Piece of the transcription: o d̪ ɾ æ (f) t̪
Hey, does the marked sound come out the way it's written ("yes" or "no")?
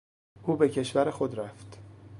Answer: yes